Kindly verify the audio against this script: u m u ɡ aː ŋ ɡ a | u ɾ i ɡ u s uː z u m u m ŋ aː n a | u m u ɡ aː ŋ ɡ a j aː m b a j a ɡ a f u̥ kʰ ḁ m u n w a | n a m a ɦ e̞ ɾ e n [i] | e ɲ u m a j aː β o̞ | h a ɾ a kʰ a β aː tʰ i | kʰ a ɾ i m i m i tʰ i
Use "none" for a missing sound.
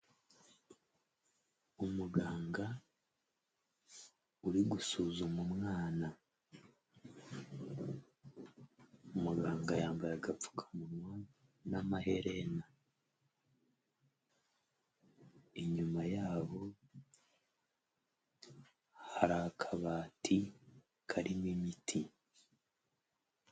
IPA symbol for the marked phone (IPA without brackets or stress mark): a